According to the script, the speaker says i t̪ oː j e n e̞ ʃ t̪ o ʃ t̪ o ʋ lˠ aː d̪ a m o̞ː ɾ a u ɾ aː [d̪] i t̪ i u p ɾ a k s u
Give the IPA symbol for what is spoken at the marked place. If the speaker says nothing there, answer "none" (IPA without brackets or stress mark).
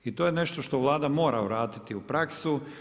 t̪